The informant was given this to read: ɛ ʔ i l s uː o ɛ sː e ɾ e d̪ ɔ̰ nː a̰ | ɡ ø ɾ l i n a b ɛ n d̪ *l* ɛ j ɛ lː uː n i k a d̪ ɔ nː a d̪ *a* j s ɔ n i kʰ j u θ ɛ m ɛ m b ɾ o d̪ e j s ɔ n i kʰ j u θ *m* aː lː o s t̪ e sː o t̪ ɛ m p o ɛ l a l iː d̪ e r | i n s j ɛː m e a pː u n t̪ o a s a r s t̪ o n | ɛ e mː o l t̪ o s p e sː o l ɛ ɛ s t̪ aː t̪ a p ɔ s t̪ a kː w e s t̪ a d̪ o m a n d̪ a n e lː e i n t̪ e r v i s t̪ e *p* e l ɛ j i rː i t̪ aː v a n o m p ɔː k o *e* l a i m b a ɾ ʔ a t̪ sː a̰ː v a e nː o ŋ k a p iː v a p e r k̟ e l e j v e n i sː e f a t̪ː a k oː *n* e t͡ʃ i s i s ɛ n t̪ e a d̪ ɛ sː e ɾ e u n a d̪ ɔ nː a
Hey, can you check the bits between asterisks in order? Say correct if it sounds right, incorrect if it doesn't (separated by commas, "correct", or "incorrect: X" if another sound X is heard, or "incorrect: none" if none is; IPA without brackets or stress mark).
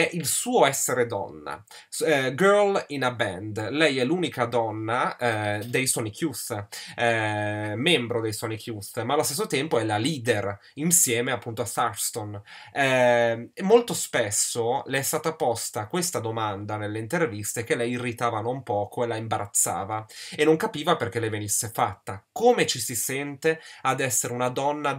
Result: correct, incorrect: e, correct, incorrect: k, correct, incorrect: m